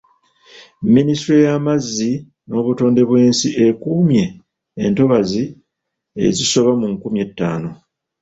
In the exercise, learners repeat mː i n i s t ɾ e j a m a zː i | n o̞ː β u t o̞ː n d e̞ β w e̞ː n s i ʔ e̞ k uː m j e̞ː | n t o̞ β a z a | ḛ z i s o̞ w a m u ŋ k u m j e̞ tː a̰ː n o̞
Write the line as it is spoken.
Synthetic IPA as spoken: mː i n i s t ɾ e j a m a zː i | n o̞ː β u t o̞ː n d e̞ β w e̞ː n s i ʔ e̞ k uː m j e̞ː | n t o̞ β a z i | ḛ z i s o̞ β a m u ŋ k u m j e̞ tː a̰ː n o̞